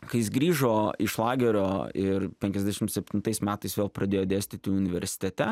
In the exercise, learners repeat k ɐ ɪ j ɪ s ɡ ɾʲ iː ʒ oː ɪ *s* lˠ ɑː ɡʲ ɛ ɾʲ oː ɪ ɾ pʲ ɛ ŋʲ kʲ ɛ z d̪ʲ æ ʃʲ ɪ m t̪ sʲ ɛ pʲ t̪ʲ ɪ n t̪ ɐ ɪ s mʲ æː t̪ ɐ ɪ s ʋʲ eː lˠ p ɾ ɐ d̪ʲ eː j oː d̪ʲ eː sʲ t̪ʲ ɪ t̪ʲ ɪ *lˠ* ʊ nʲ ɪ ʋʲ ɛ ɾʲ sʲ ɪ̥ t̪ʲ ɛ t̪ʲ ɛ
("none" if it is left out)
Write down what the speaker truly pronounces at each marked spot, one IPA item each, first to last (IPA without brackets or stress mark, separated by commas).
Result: ʃ, none